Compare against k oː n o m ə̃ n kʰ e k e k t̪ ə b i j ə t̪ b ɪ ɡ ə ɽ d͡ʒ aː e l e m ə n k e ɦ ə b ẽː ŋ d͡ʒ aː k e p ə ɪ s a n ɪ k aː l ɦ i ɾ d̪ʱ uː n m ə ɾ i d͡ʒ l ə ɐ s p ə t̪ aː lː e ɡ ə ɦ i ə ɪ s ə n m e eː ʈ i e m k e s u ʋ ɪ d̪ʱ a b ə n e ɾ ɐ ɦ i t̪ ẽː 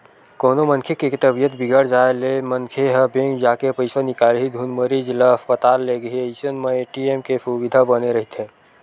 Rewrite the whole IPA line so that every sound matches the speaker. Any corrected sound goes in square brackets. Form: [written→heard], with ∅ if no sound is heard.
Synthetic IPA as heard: k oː n o m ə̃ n kʰ e k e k t̪ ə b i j ə t̪ b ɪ ɡ ə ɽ d͡ʒ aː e l e m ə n [k→kʰ] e ɦ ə b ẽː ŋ d͡ʒ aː k e p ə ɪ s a n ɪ k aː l ɦ i [ɾ→∅] d̪ʱ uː n m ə ɾ i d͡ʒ l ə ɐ s p ə t̪ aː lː e ɡ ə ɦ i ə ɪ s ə n m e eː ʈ i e m k e s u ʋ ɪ d̪ʱ a b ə n e ɾ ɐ ɦ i t̪ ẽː